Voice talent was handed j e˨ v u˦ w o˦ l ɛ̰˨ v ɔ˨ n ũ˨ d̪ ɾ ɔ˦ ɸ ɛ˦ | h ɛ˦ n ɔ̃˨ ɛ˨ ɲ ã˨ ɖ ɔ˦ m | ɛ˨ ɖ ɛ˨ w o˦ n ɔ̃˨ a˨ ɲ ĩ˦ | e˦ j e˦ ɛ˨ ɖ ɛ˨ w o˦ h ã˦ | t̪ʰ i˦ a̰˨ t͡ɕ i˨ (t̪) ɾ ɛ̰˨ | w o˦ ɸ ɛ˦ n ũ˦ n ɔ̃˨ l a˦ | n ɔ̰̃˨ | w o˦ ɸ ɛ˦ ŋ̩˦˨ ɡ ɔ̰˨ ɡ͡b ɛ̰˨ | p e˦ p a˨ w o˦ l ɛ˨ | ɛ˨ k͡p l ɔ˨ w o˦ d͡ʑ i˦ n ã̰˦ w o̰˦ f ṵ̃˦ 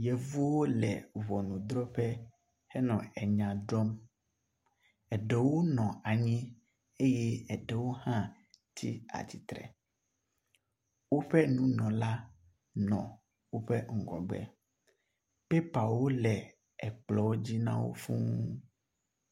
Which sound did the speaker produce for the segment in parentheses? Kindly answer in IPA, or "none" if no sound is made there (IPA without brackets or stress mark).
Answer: t̪